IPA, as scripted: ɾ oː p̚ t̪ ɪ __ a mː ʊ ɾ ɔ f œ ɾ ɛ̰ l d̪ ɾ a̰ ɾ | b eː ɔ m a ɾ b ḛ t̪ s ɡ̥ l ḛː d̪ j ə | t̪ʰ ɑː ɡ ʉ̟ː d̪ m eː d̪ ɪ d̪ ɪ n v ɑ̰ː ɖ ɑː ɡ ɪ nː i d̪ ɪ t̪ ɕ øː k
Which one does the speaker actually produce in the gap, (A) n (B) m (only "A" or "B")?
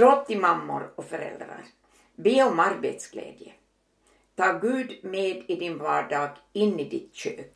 B